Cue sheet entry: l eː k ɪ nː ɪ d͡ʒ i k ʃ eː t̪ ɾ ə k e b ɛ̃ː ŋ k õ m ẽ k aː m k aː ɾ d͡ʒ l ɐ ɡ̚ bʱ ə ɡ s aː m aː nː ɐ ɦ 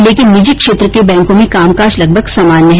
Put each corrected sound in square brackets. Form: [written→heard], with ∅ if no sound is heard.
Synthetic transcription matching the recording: l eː k ɪ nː ɪ d͡ʒ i k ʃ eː t̪ ɾ ə k e b ɛ̃ː ŋ k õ m ẽ k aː m k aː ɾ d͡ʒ l ɐ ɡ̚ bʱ ə ɡ s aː m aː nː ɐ ɦ